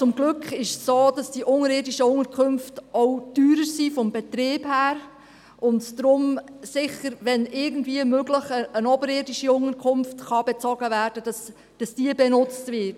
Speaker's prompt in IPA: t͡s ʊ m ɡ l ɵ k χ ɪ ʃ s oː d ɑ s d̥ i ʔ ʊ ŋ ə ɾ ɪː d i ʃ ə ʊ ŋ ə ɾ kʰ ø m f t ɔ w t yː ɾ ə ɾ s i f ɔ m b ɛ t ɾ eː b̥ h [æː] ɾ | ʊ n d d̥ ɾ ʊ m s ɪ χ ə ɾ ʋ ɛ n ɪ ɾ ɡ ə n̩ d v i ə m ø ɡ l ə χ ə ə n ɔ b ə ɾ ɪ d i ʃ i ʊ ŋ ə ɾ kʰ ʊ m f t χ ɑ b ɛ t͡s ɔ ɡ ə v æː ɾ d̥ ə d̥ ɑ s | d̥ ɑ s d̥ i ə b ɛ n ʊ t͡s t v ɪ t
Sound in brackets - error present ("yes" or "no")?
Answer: no